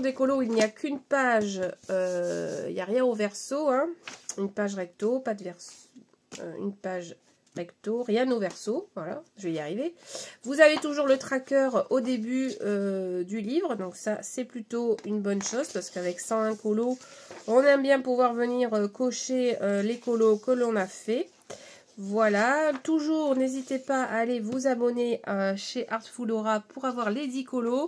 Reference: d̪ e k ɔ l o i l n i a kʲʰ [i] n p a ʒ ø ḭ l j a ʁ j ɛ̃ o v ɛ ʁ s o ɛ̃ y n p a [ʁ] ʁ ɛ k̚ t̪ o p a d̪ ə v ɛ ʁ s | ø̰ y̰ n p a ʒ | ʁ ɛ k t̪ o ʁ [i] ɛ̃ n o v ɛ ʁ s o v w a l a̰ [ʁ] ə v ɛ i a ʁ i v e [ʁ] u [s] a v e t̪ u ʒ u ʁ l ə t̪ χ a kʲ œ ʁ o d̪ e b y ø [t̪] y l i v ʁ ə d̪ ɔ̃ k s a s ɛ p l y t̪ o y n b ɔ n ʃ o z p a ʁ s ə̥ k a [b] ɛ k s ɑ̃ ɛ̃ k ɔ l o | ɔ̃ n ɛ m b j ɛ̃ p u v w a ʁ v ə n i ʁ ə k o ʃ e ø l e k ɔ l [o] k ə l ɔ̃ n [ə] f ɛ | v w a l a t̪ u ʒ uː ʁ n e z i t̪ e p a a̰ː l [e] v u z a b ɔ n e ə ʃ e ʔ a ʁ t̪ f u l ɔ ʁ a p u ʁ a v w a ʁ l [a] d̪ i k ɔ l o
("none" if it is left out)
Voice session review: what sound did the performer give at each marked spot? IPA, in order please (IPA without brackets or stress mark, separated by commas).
y, ʒ, j, ʒ, v, z, d̪, v, o, a, e, e